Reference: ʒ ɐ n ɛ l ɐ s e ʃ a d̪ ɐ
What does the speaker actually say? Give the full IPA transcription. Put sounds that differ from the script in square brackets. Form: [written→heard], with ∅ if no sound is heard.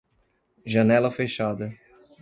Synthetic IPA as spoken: ʒ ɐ n ɛ l ɐ [s→f] e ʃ a d̪ ɐ